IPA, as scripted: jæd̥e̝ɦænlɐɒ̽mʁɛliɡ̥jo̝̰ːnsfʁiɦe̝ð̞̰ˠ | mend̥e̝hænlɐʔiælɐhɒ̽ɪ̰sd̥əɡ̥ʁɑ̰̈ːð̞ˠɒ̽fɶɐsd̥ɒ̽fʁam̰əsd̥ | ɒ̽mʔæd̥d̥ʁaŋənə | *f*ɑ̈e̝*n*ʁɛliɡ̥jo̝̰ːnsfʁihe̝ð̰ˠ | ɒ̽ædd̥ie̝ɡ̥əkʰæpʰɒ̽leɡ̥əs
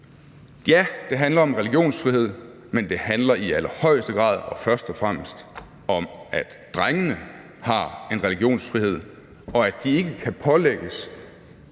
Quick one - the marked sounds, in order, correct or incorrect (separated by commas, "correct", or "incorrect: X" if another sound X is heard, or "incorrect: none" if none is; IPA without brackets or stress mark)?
incorrect: h, correct